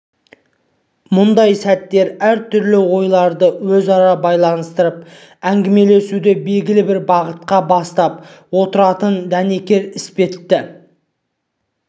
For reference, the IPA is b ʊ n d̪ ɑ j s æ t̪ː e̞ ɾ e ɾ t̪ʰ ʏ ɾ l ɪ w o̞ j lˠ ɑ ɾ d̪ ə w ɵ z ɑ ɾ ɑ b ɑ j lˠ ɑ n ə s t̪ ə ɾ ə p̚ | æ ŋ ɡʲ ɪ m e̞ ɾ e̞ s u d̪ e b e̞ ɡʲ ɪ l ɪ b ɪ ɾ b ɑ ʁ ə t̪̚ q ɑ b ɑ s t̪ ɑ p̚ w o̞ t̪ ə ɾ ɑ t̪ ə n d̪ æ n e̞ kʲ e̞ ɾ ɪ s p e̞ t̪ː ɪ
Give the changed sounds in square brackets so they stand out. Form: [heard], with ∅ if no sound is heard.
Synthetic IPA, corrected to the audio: [m] ʊ n d̪ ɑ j s æ t̪ː e̞ ɾ [æ] ɾ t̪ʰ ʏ ɾ l ɪ w o̞ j lˠ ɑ ɾ d̪ ə w ɵ z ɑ ɾ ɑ b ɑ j lˠ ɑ n ə s t̪ ə ɾ ə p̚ | æ ŋ ɡʲ ɪ m e̞ [l] e̞ s u d̪ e b e̞ ɡʲ ɪ l ɪ b ɪ ɾ b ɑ ʁ ə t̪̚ q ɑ b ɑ s t̪ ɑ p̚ w o̞ t̪ ə ɾ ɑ t̪ ə n d̪ æ n e̞ kʲ e̞ ɾ ɪ s p e̞ t̪ː ɪ

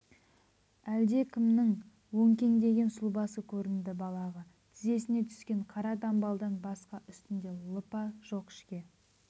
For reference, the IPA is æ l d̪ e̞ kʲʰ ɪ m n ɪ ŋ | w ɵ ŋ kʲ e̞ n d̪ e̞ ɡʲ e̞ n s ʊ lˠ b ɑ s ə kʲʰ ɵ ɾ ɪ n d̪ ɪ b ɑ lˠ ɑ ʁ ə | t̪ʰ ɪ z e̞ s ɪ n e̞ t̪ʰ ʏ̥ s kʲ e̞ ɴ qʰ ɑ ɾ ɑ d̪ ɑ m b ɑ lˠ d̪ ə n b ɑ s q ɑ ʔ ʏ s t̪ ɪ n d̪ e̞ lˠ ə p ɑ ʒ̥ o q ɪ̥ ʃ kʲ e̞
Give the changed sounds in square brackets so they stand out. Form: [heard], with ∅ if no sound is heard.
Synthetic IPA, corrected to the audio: æ l d̪ e̞ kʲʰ ɪ m n ɪ ŋ | w ɵ ŋ kʲ e̞ [ŋ] d̪ e̞ ɡʲ e̞ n s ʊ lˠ b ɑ s ə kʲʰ ɵ ɾ ɪ n d̪ ɪ b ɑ lˠ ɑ ʁ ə | t̪ʰ ɪ z e̞ s ɪ n e̞ t̪ʰ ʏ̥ s kʲ e̞ ɴ qʰ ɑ ɾ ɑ d̪ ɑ m b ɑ lˠ d̪ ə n b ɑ s q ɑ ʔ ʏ s t̪ ɪ n d̪ e̞ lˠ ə p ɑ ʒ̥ o q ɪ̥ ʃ kʲ e̞

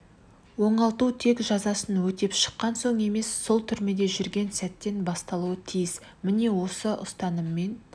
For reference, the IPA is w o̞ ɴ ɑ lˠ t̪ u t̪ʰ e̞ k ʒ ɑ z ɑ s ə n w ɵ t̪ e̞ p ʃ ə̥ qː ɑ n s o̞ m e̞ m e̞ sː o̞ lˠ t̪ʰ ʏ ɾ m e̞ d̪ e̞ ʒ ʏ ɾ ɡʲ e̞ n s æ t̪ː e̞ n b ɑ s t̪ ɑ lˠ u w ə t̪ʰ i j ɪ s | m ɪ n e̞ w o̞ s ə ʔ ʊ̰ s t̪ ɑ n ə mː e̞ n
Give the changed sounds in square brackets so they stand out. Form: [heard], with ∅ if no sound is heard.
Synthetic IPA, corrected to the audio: w o̞ ɴ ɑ lˠ t̪ u t̪ʰ e̞ k ʒ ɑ z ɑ s ə n w ɵ t̪ e̞ p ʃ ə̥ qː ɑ n s o̞ [ɴ] e̞ m e̞ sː o̞ lˠ t̪ʰ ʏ ɾ m e̞ d̪ e̞ ʒ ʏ ɾ ɡʲ e̞ n s æ t̪ː e̞ n b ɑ s t̪ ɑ lˠ u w ə t̪ʰ i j ɪ s | m ɪ n e̞ w o̞ s ə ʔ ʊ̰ s t̪ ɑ n ə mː e̞ n

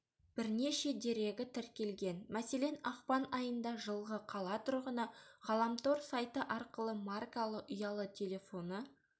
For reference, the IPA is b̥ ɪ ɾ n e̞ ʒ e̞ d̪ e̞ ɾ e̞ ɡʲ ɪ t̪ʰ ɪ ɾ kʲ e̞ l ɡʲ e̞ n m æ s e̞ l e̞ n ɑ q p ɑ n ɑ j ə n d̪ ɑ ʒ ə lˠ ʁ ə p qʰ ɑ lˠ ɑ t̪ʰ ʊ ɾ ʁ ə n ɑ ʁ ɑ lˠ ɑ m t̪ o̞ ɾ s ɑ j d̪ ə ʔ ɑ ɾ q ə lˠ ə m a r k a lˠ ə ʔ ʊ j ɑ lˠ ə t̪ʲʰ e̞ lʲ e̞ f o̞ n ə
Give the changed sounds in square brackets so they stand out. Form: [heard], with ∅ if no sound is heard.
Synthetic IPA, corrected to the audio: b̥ ɪ ɾ n e̞ [ʃ] e̞ d̪ e̞ ɾ e̞ ɡʲ ɪ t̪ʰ ɪ ɾ kʲ e̞ l ɡʲ e̞ n m æ s e̞ l e̞ n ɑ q p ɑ n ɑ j ə n d̪ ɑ ʒ ə lˠ ʁ ə [∅] qʰ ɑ lˠ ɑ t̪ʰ ʊ ɾ ʁ ə n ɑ ʁ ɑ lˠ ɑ m t̪ o̞ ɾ s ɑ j [t̪] ə ʔ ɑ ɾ q ə lˠ ə m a r k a lˠ ə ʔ ʊ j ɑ lˠ ə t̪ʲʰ e̞ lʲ e̞ f o̞ n ə

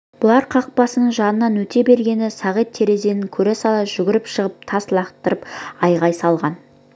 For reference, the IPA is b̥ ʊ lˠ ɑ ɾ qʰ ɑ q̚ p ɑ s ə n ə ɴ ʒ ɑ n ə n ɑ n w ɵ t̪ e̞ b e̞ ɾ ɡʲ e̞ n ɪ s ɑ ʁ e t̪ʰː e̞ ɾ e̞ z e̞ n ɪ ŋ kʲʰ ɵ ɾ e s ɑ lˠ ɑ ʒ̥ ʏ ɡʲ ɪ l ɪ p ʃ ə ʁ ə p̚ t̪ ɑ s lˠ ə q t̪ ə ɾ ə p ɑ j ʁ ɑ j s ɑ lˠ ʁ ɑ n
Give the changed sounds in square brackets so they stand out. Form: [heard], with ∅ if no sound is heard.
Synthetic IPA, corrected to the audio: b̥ ʊ lˠ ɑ ɾ qʰ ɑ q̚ p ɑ s ə n ə ɴ ʒ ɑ n ə n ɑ n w ɵ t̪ e̞ b e̞ ɾ ɡʲ e̞ n ɪ s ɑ ʁ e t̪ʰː e̞ ɾ e̞ z e̞ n ɪ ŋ kʲʰ ɵ ɾ e s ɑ lˠ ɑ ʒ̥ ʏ ɡʲ ɪ [ɾ] ɪ p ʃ ə ʁ ə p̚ [t̪ʰ] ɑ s lˠ [ɑ] q t̪ ə ɾ ə p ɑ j ʁ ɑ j s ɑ lˠ ʁ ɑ n

